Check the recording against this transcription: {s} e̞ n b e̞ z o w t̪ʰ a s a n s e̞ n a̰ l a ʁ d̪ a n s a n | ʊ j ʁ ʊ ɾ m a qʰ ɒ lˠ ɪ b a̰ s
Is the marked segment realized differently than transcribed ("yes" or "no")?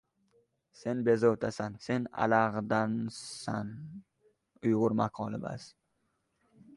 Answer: no